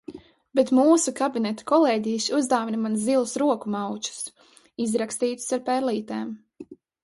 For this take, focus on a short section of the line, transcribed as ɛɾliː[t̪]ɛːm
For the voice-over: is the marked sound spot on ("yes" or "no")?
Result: yes